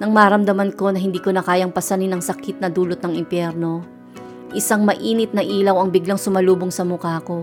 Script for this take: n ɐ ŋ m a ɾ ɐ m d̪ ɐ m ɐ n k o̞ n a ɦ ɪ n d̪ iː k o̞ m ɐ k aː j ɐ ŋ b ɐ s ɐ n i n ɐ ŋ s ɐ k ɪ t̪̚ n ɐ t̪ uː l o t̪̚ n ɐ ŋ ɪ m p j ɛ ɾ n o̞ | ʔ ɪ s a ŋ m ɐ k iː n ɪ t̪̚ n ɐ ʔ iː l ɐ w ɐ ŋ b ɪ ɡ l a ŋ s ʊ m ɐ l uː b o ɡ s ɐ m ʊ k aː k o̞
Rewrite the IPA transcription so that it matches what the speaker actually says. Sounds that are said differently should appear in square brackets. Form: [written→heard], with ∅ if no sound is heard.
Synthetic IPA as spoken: n ɐ ŋ m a ɾ ɐ m d̪ ɐ m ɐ n k o̞ n [a→ɐ] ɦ ɪ n d̪ iː k o̞ [m→n] ɐ k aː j ɐ ŋ [b→p] ɐ s ɐ n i n ɐ ŋ s ɐ k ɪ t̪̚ n ɐ [t̪→d̪] uː l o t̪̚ n ɐ ŋ ɪ m p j ɛ ɾ n o̞ | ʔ ɪ s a ŋ m ɐ [k→ʔ] iː n ɪ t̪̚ n ɐ ʔ iː l ɐ w ɐ ŋ b ɪ ɡ l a ŋ s ʊ m ɐ l uː b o [ɡ→ŋ] s ɐ m ʊ k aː k o̞